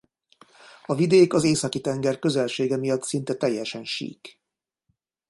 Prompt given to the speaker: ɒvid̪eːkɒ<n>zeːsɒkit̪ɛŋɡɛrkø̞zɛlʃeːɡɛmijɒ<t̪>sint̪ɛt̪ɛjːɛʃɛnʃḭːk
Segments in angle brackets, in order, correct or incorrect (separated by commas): incorrect, correct